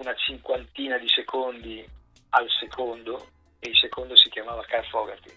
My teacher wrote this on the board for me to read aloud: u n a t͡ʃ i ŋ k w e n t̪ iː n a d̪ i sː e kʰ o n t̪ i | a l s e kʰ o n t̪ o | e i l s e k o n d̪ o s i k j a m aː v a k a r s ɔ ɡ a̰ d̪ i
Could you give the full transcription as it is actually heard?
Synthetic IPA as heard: u n a t͡ʃ i ŋ k w a n t̪ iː n a d̪ i s e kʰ o n d̪ i | a l s e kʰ o n d̪ o | e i l s e k o n d̪ o s i k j a m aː v a k a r f ɔ ɡ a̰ t̪ i